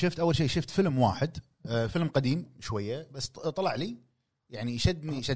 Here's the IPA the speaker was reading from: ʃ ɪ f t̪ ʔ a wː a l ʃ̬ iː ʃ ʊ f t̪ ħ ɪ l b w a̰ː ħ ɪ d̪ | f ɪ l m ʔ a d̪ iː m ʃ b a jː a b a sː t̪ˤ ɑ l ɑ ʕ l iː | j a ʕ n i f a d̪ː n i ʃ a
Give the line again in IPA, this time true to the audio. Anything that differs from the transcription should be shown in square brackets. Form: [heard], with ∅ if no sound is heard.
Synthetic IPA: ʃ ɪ f t̪ ʔ a wː a l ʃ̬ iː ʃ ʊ f t̪ [f] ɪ l [m] w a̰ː ħ ɪ d̪ | f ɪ l m [q] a d̪ iː m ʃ [w] a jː a b a sː t̪ˤ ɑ l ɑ ʕ l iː | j a ʕ n i [ʃ] a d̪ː n i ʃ a